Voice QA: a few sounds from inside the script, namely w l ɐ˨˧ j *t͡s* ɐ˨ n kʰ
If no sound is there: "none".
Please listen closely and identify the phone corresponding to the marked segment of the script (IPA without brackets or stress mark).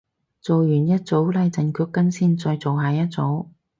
t͡s